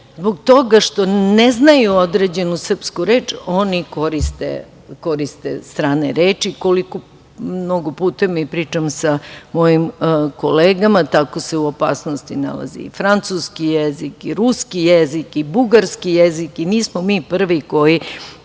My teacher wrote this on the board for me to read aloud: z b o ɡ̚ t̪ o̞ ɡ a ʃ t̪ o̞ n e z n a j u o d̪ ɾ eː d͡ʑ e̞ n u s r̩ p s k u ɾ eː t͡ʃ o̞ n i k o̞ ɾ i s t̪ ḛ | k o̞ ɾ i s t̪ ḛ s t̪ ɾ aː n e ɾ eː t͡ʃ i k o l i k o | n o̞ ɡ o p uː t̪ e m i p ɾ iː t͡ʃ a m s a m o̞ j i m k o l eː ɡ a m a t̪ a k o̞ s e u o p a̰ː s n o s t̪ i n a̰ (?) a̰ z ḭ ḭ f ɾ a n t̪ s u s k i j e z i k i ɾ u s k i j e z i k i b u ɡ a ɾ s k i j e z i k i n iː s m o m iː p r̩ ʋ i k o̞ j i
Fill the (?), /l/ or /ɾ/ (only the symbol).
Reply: l